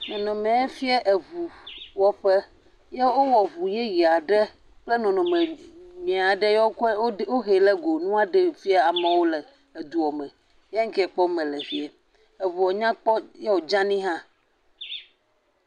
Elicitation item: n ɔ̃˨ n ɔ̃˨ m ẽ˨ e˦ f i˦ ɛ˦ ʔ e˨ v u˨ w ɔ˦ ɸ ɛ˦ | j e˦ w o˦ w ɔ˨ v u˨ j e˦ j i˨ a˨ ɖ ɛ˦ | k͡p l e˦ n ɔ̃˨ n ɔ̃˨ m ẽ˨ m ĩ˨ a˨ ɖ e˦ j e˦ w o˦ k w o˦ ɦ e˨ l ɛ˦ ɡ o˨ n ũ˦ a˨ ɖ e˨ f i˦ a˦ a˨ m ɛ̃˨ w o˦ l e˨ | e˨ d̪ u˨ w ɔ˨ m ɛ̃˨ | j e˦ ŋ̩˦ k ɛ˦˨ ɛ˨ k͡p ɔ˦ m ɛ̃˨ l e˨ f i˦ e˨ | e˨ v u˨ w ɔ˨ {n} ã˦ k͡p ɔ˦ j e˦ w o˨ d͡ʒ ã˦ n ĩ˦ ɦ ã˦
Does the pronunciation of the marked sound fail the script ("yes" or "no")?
yes